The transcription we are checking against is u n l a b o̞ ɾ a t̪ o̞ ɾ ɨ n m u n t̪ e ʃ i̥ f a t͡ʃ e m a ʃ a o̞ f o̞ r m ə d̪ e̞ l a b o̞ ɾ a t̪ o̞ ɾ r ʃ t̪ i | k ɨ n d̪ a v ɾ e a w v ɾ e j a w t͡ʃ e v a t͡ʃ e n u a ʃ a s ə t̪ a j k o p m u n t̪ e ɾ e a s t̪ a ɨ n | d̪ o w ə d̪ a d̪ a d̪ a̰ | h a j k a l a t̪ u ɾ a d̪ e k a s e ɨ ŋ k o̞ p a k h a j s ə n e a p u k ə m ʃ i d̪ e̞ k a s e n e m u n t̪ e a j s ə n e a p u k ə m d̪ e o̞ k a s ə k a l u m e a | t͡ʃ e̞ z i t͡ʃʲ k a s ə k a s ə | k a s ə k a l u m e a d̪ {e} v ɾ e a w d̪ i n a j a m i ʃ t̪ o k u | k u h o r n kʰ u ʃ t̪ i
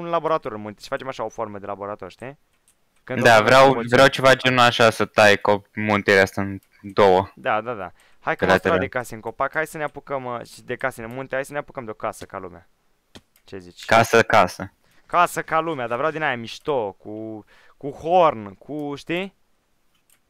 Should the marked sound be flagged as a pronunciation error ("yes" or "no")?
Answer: yes